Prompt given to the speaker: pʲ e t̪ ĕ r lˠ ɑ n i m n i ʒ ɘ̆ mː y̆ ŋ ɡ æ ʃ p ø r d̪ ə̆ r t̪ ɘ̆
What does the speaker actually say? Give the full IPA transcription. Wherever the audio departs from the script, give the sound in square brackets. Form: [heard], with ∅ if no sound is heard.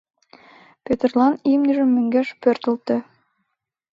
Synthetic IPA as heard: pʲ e t̪ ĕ r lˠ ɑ n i m n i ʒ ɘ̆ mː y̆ ŋ ɡ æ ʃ p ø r [t̪] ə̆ [l] t̪ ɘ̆